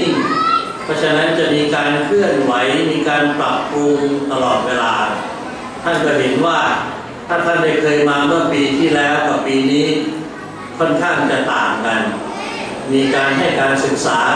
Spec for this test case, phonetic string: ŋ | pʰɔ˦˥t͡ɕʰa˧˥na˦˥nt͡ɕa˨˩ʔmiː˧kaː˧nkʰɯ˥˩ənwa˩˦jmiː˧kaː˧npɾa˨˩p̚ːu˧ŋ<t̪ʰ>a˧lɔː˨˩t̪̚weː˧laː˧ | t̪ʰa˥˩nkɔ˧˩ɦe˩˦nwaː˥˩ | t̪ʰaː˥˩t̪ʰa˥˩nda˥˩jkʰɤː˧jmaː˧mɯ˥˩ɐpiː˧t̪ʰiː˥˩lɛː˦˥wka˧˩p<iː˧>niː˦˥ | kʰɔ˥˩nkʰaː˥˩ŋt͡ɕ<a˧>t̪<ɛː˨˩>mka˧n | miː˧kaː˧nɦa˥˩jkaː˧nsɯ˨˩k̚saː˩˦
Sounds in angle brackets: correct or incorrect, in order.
incorrect: t̪, correct, incorrect: a˨˩, incorrect: aː˨˩

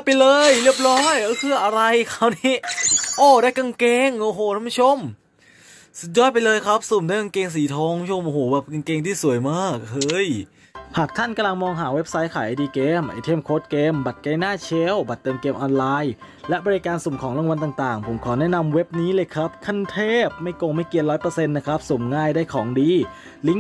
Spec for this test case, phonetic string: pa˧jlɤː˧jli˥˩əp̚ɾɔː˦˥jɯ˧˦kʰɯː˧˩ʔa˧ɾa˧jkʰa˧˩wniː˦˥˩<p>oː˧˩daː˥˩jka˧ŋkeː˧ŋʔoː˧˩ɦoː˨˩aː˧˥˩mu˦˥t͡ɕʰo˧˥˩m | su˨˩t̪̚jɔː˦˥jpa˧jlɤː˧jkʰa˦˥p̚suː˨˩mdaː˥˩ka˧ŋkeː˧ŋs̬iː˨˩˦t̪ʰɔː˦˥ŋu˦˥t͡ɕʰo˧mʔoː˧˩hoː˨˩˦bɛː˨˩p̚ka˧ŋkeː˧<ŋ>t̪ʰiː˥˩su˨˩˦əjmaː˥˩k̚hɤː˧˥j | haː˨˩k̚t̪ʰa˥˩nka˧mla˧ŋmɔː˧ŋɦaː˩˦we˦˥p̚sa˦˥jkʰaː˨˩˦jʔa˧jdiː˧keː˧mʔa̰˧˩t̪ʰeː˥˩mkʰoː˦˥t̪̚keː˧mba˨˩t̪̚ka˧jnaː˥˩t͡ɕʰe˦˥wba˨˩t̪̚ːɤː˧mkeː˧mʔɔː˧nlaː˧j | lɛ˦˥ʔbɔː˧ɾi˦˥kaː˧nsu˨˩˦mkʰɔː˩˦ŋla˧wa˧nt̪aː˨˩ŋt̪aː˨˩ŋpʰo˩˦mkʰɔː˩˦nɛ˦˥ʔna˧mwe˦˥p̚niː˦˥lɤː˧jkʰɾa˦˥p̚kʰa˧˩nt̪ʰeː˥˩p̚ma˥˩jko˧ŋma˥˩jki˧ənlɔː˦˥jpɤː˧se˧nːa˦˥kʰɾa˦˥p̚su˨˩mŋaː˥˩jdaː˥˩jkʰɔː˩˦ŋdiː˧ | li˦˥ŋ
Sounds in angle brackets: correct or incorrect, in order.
incorrect: ʔ, correct

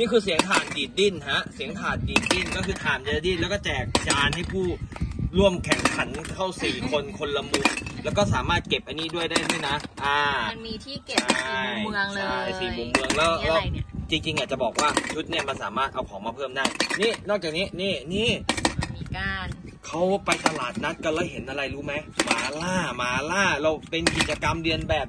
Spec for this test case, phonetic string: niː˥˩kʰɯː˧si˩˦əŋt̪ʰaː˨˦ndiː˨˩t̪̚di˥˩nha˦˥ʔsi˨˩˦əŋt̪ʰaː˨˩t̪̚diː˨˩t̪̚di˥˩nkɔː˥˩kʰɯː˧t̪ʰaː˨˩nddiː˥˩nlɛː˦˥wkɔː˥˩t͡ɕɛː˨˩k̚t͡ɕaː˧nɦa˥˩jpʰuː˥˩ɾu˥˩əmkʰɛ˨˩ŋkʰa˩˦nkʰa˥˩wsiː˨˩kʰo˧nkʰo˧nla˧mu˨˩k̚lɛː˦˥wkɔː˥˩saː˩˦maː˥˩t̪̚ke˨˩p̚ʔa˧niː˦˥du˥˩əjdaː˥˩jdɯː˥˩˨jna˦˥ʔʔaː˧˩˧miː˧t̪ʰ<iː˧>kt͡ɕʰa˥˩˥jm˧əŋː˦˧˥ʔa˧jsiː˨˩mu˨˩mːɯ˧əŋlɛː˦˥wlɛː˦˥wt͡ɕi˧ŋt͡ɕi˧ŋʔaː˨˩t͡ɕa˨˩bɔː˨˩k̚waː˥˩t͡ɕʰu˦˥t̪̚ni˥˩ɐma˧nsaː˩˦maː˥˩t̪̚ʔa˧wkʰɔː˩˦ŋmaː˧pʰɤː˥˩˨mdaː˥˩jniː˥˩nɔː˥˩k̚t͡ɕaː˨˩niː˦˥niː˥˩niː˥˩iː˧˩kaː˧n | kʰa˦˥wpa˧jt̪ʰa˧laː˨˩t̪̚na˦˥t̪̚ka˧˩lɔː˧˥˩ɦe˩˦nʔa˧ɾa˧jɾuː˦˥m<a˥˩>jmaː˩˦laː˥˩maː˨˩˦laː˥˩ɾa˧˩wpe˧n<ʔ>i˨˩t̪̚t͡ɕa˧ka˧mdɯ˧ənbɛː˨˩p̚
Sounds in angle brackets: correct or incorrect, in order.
incorrect: iː˥˩, incorrect: a˦˥, incorrect: k

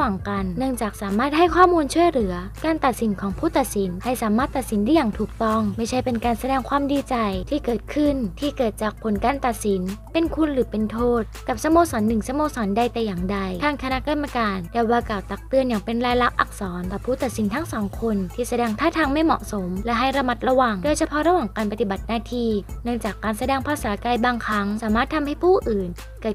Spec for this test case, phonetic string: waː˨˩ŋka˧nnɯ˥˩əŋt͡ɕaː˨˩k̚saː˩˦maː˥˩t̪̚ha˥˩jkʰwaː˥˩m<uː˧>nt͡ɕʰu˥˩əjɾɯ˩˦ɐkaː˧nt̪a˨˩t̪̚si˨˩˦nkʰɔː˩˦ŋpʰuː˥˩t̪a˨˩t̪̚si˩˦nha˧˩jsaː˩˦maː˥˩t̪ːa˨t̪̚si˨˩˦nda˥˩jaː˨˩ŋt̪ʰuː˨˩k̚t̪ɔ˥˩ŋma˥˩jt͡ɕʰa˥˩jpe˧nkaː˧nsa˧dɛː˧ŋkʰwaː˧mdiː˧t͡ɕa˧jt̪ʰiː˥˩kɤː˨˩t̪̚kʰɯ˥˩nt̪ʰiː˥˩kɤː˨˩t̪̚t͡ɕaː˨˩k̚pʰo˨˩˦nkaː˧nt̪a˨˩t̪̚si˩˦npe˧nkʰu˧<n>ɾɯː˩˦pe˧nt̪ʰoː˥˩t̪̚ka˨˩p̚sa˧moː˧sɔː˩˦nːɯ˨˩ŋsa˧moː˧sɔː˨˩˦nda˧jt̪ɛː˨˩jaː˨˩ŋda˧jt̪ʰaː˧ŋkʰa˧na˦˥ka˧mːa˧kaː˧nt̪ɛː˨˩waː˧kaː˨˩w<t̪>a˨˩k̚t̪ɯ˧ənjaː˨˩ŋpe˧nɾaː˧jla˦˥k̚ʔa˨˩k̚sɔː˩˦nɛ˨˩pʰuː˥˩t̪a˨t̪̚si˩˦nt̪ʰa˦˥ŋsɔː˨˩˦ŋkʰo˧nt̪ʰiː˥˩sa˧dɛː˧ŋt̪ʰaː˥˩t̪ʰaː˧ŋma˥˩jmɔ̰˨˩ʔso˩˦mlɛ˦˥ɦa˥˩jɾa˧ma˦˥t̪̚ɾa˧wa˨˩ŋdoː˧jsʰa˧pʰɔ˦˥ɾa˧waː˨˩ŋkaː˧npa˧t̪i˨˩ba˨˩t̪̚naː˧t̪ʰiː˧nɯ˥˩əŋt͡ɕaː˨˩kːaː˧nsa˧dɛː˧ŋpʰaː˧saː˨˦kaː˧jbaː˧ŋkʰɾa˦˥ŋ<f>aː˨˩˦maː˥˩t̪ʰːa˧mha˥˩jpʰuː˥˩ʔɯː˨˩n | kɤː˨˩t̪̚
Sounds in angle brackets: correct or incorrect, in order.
correct, correct, correct, incorrect: s

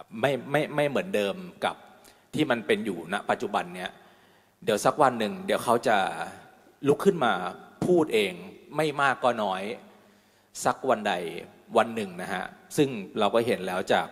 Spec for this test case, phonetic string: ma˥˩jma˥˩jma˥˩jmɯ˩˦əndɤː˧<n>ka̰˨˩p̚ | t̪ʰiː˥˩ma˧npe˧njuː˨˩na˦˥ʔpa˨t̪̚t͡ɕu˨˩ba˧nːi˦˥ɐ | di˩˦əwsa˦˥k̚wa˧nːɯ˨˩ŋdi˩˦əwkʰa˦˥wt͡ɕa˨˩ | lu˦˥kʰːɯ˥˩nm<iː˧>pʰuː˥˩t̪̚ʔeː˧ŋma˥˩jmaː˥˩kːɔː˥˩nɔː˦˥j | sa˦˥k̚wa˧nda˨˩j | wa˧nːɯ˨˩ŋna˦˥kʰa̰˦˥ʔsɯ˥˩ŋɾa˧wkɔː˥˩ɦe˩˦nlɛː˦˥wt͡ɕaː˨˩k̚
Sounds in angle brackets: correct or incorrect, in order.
incorrect: m, incorrect: aː˧

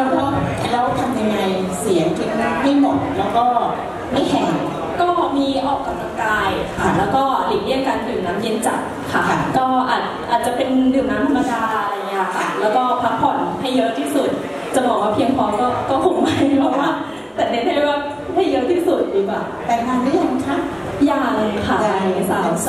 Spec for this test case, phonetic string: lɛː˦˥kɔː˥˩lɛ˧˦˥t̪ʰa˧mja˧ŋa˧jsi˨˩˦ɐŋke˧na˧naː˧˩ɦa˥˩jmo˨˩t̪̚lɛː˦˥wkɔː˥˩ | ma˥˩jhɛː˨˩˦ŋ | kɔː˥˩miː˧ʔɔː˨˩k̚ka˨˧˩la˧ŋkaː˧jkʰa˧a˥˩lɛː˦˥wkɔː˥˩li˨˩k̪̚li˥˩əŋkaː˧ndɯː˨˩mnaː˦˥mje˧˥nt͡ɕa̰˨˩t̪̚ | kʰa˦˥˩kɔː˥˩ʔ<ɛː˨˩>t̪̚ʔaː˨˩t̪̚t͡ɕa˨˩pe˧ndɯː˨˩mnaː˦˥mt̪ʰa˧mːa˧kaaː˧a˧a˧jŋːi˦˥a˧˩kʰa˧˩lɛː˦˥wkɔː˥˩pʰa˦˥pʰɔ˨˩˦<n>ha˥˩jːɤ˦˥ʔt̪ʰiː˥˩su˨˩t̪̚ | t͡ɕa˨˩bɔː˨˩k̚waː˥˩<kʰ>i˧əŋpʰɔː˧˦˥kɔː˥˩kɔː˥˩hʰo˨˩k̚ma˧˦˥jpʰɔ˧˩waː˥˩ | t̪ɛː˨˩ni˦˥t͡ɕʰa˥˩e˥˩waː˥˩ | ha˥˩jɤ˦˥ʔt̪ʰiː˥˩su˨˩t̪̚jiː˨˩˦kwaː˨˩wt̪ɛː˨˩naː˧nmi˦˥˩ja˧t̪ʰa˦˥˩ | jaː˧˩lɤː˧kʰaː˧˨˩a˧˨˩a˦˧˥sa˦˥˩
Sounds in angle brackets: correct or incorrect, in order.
incorrect: aː˨˩, correct, incorrect: pʰ

